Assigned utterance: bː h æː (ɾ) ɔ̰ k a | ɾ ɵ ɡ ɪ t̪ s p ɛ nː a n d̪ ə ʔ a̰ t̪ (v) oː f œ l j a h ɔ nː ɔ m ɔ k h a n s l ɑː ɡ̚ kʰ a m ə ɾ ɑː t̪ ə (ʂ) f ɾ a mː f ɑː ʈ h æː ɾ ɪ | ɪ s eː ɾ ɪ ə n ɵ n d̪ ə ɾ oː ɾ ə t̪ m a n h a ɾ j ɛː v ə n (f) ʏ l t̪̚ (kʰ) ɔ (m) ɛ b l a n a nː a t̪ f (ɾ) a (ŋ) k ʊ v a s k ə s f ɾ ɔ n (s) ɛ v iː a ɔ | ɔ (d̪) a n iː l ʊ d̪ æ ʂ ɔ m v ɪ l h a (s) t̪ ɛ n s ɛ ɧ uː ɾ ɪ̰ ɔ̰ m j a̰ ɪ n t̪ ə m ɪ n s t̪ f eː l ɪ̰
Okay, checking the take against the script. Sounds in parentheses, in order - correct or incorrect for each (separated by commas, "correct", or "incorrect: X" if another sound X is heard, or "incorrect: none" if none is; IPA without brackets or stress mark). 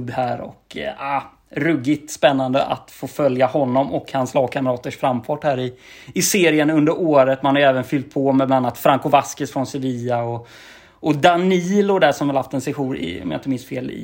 correct, incorrect: f, correct, correct, incorrect: pʰ, correct, correct, correct, correct, correct, incorrect: f